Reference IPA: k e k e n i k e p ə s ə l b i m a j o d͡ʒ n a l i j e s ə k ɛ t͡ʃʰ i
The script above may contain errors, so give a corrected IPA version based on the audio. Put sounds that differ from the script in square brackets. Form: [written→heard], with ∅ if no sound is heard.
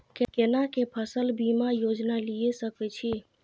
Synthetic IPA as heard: k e k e n [i→a] k e [p→pʰ] ə s ə l b i m a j o d͡ʒ n a l i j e s ə k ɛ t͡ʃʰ i